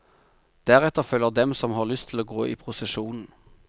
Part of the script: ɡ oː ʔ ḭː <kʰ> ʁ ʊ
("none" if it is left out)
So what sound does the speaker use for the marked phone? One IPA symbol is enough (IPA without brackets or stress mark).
pʰ